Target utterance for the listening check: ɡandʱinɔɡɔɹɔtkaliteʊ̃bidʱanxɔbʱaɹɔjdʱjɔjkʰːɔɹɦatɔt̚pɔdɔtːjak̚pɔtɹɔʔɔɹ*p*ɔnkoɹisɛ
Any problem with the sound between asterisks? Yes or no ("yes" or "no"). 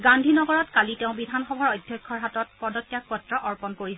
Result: no